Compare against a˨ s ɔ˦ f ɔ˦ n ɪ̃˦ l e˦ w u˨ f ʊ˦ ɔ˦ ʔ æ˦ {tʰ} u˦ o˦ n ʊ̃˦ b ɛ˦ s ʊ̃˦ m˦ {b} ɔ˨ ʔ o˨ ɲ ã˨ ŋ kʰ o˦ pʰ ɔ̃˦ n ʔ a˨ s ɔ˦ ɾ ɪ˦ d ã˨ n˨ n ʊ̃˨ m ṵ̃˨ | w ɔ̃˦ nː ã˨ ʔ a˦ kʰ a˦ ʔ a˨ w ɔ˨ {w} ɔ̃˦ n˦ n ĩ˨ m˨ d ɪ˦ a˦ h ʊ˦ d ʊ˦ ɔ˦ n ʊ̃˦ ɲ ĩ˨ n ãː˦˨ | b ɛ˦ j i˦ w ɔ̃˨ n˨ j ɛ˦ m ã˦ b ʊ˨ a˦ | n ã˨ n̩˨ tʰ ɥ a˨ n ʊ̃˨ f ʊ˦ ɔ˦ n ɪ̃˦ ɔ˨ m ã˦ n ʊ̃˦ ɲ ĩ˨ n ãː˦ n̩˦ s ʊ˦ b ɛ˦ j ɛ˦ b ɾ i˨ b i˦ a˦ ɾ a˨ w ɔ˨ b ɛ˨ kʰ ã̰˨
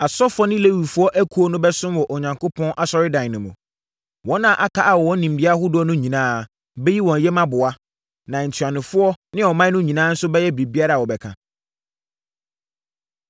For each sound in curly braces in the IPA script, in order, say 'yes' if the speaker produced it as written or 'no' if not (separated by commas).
no, no, yes